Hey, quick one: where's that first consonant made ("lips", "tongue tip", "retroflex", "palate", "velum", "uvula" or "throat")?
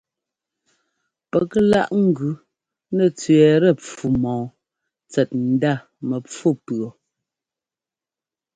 lips